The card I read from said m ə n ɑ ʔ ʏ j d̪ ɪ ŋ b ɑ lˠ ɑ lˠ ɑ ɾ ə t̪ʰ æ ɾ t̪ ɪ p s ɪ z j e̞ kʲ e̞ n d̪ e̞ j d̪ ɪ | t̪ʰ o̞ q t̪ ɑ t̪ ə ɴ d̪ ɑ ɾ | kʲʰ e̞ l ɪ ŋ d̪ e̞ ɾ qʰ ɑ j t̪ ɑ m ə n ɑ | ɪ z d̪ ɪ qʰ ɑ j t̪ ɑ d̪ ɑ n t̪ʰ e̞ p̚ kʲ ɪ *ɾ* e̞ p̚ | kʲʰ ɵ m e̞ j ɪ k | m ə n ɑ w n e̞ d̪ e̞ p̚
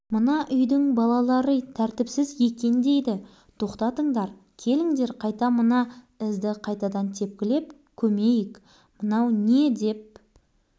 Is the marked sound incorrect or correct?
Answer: incorrect